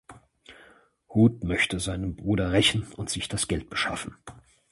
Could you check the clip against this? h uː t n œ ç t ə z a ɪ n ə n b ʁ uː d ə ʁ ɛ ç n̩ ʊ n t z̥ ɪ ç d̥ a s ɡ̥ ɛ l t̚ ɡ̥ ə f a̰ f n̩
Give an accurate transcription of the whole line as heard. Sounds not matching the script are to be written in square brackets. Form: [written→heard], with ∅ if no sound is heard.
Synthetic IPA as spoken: h uː t [n→m] œ ç t ə z a ɪ n ə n b ʁ uː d [ə→ɐ] ʁ ɛ ç n̩ ʊ n t z̥ ɪ ç d̥ a s ɡ̥ ɛ l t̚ [ɡ̥→b̥] ə [f→ʃ] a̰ f n̩